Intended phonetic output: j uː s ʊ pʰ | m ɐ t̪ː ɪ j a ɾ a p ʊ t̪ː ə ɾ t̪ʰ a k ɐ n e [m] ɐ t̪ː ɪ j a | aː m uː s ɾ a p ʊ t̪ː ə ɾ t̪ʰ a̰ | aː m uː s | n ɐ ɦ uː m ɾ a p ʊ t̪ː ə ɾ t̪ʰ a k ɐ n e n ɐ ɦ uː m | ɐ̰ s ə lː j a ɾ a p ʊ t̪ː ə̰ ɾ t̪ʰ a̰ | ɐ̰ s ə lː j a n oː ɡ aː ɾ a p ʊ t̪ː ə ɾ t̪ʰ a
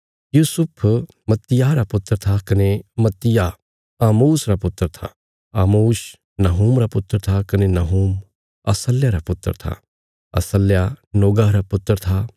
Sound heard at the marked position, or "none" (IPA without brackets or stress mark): m